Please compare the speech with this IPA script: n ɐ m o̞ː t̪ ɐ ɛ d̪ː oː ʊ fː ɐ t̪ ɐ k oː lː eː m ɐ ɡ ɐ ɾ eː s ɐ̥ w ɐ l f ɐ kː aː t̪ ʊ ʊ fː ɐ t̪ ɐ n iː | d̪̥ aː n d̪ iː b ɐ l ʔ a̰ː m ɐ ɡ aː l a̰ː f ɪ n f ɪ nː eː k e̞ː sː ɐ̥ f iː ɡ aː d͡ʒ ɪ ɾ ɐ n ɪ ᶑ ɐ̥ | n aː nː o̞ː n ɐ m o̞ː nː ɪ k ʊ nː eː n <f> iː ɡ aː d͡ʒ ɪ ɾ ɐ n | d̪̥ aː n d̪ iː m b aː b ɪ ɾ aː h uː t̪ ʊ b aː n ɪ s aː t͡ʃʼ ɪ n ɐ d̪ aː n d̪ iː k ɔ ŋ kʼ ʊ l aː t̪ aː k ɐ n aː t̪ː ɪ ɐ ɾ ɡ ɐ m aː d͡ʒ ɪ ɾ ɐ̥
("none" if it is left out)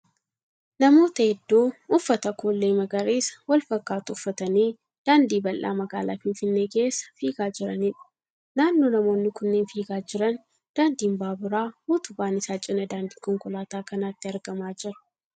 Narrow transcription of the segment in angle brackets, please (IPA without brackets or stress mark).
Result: f